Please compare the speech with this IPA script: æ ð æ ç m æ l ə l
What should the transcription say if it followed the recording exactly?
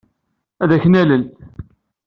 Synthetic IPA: æ ð æ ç n æ l ə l